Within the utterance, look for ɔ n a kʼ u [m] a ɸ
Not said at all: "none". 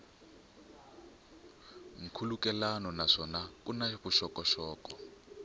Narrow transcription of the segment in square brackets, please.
n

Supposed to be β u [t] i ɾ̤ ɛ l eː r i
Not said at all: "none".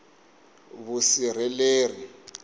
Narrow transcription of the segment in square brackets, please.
s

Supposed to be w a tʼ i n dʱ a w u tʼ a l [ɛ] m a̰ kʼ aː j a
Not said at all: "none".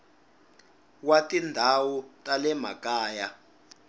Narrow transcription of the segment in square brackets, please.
ɛ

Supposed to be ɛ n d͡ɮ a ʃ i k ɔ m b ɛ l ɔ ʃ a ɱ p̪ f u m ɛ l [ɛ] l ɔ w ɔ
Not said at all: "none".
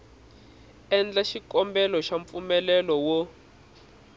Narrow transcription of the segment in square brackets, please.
ɛ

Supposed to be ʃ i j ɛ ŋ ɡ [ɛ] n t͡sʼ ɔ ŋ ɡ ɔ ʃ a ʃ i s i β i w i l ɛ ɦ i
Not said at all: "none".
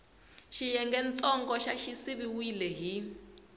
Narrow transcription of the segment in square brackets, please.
ɛ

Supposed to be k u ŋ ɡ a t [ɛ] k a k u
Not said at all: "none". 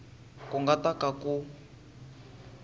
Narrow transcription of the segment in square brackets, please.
a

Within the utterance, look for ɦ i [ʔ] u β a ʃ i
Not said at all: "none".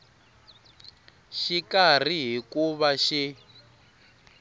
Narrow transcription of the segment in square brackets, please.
k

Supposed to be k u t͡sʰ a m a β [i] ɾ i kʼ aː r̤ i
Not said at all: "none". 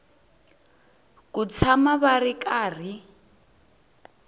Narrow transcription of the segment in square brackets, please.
a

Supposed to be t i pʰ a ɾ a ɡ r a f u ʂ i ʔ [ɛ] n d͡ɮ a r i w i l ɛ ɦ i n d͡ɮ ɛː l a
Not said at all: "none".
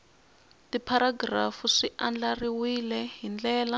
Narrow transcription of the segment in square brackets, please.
a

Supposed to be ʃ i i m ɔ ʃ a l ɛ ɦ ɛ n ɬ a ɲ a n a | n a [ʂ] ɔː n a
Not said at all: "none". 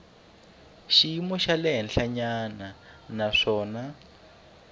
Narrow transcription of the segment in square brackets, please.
ʂ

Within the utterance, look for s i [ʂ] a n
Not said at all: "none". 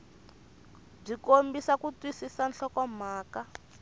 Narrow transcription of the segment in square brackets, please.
s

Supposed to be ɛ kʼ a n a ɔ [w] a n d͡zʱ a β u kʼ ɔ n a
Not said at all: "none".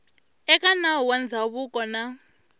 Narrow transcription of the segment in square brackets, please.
w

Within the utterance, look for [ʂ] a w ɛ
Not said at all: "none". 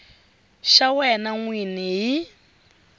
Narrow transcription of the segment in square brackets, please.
ʃ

